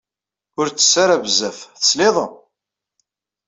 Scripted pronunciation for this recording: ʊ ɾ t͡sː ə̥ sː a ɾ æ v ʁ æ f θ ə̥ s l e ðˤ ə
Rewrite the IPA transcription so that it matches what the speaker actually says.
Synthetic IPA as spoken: ʊ ɾ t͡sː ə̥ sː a ɾ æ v z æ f θ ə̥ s l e ðˤ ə